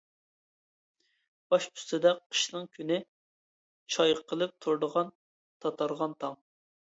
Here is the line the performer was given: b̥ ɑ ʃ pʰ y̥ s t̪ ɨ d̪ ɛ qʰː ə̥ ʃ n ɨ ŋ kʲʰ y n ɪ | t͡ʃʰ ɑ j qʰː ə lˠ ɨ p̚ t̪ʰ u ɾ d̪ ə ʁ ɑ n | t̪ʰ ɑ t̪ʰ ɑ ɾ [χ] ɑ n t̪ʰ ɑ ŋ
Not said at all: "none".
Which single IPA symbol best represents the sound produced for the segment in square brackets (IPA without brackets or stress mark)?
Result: ʁ